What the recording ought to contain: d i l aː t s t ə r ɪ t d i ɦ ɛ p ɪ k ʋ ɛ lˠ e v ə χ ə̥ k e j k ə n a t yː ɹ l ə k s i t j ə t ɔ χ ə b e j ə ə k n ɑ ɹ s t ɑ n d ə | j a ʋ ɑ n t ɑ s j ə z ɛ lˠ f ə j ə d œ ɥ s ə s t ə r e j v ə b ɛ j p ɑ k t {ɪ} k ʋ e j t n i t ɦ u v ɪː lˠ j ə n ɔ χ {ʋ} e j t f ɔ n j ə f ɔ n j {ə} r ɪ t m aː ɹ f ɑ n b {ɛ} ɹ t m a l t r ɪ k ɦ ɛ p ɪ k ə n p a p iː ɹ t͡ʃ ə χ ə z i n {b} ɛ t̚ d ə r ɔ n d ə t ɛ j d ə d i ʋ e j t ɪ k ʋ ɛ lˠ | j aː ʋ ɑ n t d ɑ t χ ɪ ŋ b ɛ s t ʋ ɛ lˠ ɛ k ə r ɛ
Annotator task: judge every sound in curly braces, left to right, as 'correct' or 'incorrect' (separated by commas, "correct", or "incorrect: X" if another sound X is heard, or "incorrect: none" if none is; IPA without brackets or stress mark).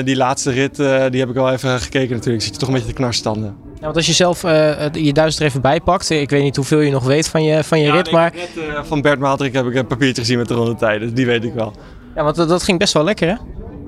correct, correct, correct, correct, incorrect: m